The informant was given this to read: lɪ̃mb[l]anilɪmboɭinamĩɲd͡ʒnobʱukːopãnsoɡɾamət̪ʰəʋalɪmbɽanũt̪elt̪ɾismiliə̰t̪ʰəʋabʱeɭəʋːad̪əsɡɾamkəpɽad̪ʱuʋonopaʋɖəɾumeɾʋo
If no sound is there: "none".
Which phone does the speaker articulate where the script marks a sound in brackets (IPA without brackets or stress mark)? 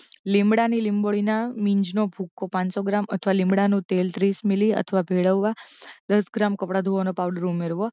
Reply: ɽ